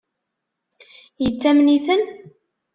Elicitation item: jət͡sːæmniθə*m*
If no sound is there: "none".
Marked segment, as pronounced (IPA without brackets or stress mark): n